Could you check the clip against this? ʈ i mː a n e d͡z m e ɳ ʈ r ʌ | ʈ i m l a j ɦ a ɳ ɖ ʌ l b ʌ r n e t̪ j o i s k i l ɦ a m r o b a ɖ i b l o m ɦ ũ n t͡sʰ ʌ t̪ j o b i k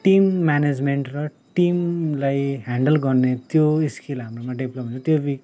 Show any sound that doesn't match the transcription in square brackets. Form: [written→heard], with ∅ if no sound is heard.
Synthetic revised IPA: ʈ i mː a n e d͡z m e ɳ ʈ r ʌ | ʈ i m l a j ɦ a ɳ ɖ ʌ l [b→ɡ] ʌ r n e t̪ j o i s k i l ɦ a m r o [b→m] a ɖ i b l o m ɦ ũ n t͡sʰ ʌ t̪ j o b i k